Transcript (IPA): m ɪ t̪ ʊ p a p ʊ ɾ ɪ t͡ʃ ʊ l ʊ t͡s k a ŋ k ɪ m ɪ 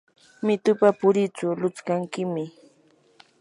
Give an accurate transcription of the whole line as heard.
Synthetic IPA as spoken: m ɪ t̪ ʊ p a p ʊ ɾ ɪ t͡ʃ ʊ l ʊ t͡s k a ŋ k ɪ m ɪ